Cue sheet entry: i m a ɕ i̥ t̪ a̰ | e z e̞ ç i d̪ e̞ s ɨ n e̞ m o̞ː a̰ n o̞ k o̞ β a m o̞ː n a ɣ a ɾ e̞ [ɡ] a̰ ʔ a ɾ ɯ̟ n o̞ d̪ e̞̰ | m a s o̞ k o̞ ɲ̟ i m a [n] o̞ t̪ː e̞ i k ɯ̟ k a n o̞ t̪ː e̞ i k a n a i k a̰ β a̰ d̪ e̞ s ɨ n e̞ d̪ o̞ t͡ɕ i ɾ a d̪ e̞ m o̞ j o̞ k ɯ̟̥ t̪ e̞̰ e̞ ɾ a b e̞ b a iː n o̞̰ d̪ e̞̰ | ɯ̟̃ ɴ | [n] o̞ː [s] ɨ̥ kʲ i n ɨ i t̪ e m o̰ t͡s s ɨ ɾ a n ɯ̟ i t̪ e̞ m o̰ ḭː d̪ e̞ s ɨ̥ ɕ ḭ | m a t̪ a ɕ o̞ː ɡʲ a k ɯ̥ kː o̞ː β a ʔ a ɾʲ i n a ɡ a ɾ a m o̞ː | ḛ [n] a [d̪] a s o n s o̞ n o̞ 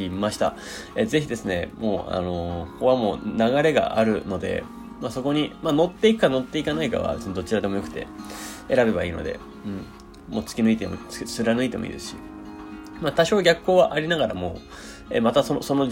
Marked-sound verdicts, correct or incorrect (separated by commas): correct, correct, incorrect, incorrect, incorrect, incorrect